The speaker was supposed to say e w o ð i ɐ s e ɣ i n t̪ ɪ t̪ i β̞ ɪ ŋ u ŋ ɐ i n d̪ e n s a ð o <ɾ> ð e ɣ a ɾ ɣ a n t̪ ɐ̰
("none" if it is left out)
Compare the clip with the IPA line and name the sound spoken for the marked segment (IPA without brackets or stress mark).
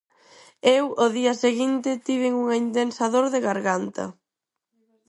ɾ